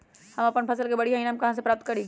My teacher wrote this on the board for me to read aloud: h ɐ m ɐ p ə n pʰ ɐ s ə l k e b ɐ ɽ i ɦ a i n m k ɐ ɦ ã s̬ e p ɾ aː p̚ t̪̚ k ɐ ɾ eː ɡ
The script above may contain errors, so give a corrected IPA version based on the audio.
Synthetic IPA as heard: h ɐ m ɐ p ə n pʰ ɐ s ə l k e b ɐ ɽ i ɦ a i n m k ɐ ɦ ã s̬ e p ɾ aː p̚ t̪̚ k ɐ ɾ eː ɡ